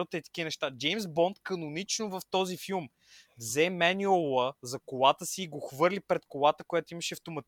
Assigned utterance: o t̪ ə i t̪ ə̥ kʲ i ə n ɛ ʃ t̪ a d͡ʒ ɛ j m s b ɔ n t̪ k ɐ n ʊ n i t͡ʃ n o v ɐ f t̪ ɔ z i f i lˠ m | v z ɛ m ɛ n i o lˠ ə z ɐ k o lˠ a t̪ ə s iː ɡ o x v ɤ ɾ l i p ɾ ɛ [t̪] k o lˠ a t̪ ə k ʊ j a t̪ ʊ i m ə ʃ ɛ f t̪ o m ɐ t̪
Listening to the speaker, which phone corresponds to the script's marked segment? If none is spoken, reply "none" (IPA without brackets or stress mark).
t̪